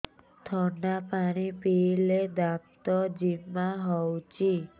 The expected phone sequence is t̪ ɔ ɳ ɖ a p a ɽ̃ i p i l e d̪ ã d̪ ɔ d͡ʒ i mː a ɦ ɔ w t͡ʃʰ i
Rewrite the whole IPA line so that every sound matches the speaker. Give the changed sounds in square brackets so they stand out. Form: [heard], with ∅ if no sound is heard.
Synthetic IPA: [t̪ʰ] ɔ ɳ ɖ a p a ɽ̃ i p i l e d̪ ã [t̪] ɔ d͡ʒ i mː a ɦ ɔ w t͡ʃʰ i